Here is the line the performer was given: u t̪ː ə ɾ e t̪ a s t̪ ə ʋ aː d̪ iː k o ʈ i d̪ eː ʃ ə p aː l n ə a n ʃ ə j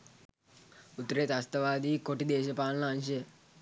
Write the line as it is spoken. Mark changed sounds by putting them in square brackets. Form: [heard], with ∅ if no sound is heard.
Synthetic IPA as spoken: u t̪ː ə ɾ e t̪ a s t̪ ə ʋ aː d̪ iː k o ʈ i d̪ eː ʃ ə p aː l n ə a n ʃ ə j